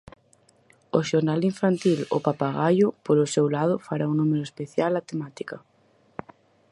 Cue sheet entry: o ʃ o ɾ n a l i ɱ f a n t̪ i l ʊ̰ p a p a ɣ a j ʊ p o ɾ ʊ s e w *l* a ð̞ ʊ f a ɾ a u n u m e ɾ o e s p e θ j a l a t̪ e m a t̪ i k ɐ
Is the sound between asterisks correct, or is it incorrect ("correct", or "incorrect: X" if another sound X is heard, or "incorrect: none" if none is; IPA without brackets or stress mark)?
correct